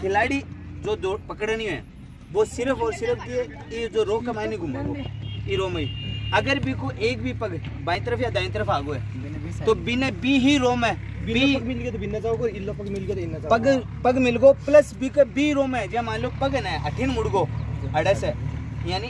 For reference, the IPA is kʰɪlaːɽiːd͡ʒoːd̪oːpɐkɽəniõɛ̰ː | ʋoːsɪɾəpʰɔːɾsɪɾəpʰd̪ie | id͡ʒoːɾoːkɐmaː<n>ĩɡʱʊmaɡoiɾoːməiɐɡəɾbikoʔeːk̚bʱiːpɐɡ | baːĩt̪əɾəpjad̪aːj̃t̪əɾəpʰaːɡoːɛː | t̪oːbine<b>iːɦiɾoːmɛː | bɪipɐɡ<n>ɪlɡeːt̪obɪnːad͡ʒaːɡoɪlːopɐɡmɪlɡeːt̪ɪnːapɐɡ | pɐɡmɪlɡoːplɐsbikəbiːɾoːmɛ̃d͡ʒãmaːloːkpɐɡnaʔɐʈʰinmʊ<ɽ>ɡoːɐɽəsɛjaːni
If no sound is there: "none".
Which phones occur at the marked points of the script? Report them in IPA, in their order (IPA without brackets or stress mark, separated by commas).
n, b, m, ɽ